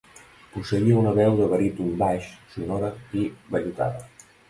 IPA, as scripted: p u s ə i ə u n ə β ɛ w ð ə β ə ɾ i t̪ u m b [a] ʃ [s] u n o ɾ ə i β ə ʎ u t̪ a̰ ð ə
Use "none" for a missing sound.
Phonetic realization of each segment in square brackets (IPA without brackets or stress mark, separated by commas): a, s